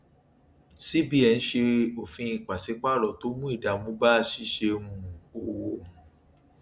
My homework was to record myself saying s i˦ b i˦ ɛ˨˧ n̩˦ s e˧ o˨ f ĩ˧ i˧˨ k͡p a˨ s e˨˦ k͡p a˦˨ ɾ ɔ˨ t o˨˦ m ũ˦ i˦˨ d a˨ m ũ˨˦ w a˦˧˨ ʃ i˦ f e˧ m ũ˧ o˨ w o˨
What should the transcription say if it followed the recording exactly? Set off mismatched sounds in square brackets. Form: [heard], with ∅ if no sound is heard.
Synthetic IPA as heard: s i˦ b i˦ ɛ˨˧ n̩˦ [ʃ] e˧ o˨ f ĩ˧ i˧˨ k͡p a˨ s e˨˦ k͡p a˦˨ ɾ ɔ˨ t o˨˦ m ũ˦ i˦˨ d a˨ m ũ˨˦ [b] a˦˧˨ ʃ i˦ [ʃ] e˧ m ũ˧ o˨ w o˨